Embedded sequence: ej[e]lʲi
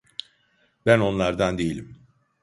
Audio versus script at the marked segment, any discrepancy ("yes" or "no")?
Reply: yes